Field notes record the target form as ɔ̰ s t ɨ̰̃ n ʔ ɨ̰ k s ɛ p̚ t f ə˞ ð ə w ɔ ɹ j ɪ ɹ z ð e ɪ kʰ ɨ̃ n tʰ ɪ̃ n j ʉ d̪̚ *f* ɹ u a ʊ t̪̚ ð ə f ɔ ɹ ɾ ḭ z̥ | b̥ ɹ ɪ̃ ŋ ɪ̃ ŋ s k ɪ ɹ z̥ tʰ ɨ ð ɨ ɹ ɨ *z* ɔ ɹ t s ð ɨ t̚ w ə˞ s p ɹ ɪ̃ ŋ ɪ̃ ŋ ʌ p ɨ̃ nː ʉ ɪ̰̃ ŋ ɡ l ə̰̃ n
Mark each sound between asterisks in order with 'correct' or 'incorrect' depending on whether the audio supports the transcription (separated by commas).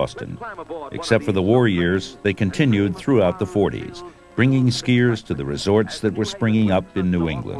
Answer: incorrect, correct